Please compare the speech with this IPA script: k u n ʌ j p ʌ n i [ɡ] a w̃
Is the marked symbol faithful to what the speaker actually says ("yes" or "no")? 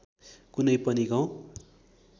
yes